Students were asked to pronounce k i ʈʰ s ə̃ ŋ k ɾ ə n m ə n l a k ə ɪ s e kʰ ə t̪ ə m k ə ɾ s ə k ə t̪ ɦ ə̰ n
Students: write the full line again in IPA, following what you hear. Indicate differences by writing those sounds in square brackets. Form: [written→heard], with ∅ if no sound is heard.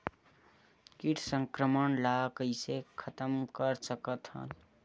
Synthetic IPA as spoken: k i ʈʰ s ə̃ ŋ k ɾ ə [n→∅] m ə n l a k ə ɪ s e kʰ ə t̪ ə m k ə ɾ s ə k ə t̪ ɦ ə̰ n